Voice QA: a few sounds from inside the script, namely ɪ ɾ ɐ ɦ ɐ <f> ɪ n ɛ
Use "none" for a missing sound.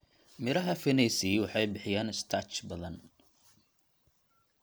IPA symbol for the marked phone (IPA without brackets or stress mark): f